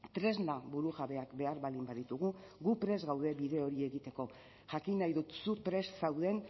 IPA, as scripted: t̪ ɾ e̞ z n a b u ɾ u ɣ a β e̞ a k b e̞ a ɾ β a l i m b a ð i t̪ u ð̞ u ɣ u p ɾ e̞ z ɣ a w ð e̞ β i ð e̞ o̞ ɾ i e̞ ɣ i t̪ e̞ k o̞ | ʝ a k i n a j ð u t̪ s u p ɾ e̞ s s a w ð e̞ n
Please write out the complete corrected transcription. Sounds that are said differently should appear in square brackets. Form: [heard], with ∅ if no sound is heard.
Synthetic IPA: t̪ ɾ e̞ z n a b u ɾ u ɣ a β e̞ a k b e̞ a ɾ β a l i m b a ð i t̪ u [ɣ̞] u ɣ u p ɾ e̞ z ɣ a w ð e̞ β i ð e̞ o̞ ɾ i e̞ ɣ i t̪ e̞ k o̞ | ʝ a k i n a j ð u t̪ s u p ɾ e̞ s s a w ð e̞ n